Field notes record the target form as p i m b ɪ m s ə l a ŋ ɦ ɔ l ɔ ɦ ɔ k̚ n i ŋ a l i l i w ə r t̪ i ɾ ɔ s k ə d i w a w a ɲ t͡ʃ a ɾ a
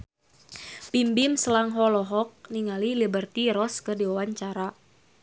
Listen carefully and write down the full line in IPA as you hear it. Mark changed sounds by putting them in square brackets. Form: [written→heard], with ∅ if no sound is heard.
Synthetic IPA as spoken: p i m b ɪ m s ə l a ŋ ɦ ɔ l ɔ ɦ ɔ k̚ n i ŋ a l i l i [w→b] ə r t̪ i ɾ ɔ s k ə d i w a w a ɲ t͡ʃ a ɾ a